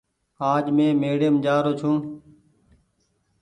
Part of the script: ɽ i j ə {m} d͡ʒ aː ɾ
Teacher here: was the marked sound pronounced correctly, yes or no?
yes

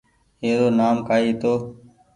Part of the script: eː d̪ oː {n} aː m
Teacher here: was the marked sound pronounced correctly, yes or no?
yes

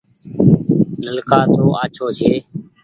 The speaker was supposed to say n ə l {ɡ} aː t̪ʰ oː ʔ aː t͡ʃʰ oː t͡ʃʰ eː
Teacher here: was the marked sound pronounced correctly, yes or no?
no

